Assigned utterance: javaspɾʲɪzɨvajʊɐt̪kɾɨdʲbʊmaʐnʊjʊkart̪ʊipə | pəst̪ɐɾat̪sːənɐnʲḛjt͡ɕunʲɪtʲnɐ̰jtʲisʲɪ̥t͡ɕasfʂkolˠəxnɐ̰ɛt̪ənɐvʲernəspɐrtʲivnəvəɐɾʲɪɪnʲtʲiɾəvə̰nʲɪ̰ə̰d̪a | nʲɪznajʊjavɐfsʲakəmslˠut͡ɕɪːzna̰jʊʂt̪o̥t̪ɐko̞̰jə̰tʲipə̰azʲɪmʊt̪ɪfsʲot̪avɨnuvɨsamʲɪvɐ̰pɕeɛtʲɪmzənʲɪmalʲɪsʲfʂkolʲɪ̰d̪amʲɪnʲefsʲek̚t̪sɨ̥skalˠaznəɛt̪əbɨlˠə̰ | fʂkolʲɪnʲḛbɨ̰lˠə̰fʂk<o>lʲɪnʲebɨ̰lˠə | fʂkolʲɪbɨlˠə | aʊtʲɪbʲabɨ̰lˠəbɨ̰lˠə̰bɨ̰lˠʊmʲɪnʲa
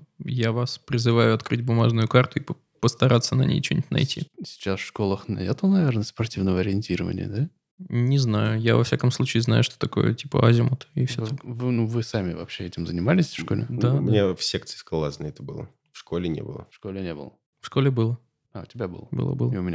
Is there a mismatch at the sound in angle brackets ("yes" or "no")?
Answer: no